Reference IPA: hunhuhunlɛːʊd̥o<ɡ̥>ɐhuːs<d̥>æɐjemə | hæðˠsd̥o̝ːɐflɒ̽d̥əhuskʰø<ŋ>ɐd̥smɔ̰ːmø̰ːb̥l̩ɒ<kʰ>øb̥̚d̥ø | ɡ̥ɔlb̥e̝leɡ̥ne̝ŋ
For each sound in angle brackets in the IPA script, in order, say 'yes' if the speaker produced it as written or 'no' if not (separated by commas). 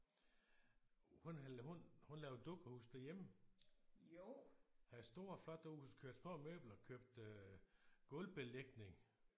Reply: yes, yes, no, yes